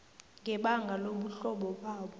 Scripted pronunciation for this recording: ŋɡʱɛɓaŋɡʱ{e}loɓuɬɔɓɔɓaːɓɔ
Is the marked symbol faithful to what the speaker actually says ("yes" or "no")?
no